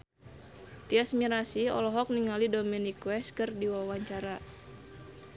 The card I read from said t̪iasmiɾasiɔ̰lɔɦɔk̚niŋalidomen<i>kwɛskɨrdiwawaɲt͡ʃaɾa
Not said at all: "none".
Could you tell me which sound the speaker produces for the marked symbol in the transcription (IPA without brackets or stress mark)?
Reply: i